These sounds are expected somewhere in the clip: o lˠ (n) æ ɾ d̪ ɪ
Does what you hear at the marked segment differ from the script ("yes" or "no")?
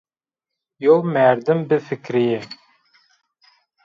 yes